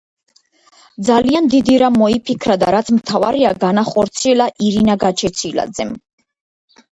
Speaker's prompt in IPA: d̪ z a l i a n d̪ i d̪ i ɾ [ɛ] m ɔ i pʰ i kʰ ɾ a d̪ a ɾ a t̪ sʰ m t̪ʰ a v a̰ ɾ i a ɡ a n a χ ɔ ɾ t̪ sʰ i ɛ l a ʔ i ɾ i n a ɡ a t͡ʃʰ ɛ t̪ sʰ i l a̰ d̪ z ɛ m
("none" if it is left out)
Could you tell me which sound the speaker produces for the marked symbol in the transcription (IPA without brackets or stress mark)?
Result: a